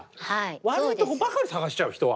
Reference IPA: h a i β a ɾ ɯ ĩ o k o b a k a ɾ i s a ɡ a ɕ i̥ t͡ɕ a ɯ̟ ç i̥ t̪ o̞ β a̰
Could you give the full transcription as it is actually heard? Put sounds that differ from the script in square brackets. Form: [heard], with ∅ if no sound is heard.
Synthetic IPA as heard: h a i β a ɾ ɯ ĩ o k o b a k a ɾ i s a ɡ a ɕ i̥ t͡ɕ a ɯ̟ ç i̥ t̪ o̞ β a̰